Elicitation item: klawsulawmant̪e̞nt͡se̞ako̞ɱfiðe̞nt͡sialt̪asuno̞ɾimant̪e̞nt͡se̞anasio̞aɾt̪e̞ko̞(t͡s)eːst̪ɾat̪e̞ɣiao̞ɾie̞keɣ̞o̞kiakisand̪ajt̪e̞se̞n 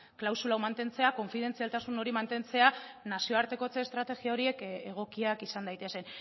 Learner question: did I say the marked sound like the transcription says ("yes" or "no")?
yes